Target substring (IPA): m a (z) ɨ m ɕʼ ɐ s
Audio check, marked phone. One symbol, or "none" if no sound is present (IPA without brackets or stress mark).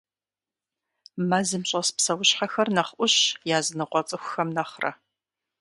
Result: z